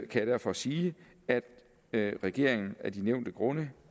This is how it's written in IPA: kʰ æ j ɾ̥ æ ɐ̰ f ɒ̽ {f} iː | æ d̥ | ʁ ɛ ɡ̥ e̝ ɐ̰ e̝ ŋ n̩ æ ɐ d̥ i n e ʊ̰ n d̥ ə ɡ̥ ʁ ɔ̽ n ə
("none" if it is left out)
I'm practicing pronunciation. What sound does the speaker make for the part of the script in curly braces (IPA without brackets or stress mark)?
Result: s